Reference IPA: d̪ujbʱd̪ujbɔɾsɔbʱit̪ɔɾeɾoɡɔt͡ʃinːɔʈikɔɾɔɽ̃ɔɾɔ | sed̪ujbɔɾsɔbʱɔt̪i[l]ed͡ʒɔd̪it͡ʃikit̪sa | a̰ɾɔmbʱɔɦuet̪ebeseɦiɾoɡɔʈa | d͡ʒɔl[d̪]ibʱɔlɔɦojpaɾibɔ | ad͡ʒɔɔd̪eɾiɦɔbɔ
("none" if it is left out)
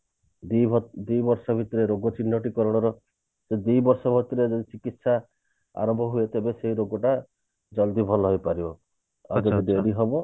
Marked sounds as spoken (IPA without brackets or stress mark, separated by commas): ɾ, d̪